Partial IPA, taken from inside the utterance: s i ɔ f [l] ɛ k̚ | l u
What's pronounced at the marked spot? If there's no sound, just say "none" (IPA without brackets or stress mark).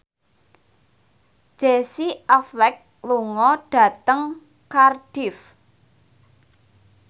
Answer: l